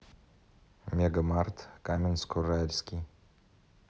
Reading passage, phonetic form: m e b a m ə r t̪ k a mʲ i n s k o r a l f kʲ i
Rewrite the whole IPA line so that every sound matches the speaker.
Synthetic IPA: m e ɡ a m a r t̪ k a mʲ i n s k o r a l s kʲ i